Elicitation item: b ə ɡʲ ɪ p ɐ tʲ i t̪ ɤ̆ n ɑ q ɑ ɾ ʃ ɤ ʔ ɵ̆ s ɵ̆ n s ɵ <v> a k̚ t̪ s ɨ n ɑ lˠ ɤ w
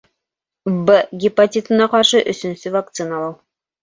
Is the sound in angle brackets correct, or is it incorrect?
correct